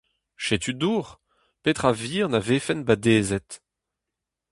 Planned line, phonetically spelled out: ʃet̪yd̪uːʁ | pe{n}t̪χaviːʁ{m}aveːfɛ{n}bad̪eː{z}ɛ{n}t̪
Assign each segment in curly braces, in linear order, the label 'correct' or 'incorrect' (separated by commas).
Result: incorrect, incorrect, correct, correct, incorrect